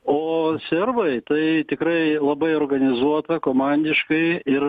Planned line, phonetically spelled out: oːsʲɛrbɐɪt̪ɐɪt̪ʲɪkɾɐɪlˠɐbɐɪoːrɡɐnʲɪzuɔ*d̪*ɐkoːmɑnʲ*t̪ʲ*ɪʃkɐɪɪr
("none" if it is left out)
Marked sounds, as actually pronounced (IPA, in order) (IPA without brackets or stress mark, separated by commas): t̪, d̪ʲ